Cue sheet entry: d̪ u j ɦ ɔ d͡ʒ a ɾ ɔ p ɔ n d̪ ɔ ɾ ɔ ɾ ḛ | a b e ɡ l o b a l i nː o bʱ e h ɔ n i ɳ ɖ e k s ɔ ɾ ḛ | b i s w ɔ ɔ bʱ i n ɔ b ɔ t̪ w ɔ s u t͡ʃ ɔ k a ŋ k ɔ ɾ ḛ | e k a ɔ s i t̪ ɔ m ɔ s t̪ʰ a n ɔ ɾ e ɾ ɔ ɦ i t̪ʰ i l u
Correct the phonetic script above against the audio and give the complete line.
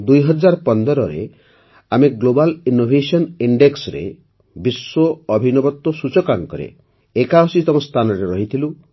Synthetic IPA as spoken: d̪ u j ɦ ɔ d͡ʒ a ɾ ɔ p ɔ n d̪ ɔ ɾ ɔ ɾ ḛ | a m e ɡ l o b a l i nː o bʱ e s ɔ n i ɳ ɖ e k s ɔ ɾ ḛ | b i s w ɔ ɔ bʱ i n ɔ b ɔ t̪ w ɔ s u t͡ʃ ɔ k a ŋ k ɔ ɾ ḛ | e k a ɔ s i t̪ ɔ m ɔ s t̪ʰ a n ɔ ɾ e ɾ ɔ ɦ i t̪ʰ i l u